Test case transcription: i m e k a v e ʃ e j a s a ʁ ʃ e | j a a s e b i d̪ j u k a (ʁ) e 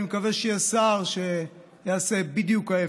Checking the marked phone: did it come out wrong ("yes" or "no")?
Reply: yes